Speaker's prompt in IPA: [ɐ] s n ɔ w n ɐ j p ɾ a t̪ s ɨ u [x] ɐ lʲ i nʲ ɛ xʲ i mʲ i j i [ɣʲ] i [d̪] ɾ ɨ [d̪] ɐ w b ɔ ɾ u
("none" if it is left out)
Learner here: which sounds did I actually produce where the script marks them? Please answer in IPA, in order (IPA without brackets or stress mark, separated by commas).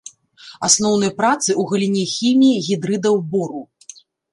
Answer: a, ɣ, ɣʲ, d̪, d̪